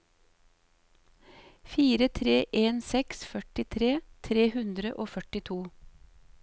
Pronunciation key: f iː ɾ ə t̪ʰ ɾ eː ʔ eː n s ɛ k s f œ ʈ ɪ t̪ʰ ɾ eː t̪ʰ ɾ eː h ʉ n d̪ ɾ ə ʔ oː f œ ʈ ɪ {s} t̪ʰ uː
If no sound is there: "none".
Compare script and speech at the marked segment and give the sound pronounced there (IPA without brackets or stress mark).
none